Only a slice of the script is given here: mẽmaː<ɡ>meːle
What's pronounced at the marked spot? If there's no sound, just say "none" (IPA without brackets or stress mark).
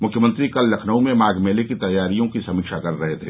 ɡ